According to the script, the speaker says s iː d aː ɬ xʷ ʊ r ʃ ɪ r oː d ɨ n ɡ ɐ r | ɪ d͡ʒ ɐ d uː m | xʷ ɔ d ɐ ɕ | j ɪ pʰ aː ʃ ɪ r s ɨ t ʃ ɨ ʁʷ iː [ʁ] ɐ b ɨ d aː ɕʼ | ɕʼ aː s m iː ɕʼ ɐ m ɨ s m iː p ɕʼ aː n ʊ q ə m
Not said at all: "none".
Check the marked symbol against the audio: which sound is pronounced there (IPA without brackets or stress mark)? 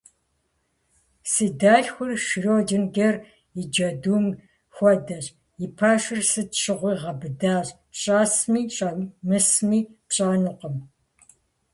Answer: ʁ